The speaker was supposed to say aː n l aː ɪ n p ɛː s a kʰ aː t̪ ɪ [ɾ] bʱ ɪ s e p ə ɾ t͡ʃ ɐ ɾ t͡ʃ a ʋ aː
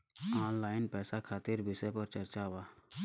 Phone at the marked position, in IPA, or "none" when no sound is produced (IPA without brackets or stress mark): ɾ